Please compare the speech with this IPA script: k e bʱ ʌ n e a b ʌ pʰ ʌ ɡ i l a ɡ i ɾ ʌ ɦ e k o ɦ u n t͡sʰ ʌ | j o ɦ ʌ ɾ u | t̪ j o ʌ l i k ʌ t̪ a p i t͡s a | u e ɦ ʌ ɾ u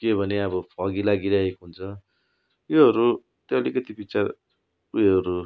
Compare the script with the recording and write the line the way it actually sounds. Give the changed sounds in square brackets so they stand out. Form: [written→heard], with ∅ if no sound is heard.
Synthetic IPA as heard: k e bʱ ʌ n e [a→ʌ] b ʌ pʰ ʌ ɡ i l a ɡ i ɾ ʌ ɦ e k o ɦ u n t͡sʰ ʌ | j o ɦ ʌ ɾ u | t̪ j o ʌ l i k ʌ t̪ [a→i] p i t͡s a | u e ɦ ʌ ɾ u